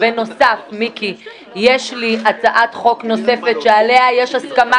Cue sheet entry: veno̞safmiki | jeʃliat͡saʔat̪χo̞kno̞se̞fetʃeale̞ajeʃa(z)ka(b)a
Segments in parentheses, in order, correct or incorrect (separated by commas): incorrect, incorrect